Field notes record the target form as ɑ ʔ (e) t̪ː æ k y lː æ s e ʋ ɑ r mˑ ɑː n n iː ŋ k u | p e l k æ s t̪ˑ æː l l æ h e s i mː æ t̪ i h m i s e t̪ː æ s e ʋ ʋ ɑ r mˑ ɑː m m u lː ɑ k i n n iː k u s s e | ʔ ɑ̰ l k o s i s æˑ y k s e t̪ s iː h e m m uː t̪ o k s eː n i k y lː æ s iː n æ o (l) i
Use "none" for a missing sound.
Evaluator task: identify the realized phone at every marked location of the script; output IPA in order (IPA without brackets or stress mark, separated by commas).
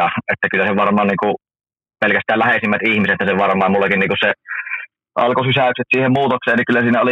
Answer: e, l